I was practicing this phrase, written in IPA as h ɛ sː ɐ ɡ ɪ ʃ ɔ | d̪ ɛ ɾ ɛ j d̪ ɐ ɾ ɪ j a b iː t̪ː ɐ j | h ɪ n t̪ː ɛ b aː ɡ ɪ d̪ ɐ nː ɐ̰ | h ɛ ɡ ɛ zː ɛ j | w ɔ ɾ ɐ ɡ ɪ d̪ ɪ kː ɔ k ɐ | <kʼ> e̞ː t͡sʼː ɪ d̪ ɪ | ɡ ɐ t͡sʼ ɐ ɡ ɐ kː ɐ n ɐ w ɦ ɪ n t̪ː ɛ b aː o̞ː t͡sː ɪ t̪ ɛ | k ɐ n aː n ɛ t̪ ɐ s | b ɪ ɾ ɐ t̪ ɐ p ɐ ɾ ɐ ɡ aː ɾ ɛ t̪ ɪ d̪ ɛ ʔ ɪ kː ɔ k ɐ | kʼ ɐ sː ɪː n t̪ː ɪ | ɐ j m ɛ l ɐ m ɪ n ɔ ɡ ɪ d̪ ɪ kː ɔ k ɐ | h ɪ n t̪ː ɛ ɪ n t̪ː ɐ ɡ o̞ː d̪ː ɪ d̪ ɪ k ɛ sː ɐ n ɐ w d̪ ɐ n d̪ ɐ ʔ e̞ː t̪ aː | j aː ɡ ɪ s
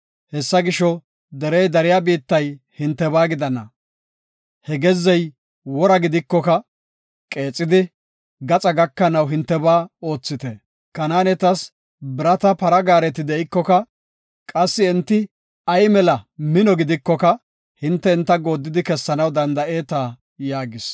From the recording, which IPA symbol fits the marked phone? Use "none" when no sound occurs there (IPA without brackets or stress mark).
kʼ